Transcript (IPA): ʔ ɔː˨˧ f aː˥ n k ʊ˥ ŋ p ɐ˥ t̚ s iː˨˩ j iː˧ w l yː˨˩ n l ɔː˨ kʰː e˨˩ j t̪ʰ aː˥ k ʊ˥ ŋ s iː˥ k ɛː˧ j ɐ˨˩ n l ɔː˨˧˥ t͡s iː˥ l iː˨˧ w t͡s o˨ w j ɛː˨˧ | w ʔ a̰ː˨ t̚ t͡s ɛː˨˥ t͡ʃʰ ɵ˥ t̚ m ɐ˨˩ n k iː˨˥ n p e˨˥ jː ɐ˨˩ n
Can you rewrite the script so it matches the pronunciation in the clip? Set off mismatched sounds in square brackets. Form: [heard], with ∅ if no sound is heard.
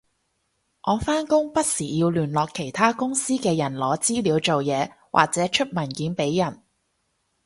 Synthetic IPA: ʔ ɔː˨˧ f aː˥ n k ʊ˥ ŋ p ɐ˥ t̚ s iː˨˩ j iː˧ w l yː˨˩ n l ɔː˨ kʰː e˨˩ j t̪ʰ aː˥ k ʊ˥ ŋ s iː˥ k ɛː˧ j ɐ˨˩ n l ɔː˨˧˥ t͡s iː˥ l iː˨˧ w t͡s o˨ w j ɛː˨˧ | w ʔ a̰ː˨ [k̚] t͡s ɛː˨˥ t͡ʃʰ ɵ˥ t̚ m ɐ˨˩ n k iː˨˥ n p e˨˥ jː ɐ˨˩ n